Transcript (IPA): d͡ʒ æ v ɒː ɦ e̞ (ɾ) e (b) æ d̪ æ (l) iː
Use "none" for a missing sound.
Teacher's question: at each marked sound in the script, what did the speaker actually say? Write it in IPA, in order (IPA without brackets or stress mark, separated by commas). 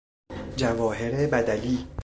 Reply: ɾ, b, l